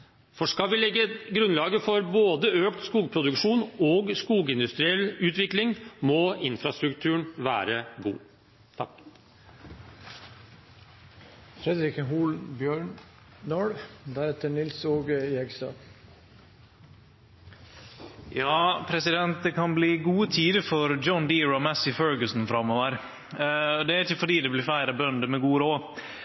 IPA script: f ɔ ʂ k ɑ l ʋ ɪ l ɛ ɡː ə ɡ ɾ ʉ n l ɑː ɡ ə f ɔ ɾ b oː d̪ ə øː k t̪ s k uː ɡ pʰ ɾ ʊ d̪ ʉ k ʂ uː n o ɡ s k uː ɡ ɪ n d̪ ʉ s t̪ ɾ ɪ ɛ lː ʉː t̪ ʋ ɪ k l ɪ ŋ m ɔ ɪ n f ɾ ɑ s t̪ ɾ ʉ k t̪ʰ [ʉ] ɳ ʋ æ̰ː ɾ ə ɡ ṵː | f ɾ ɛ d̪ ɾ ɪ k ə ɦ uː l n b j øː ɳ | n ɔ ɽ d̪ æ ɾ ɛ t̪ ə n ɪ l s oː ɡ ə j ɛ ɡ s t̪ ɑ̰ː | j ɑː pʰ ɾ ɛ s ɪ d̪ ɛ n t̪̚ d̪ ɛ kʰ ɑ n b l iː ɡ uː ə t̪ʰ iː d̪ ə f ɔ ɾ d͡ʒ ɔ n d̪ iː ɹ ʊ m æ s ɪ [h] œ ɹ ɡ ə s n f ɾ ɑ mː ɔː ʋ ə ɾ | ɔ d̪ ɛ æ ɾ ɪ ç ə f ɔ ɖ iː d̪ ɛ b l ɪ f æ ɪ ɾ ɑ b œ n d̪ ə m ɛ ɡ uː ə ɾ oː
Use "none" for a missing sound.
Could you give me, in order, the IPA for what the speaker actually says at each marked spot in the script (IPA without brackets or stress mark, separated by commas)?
ʉː, f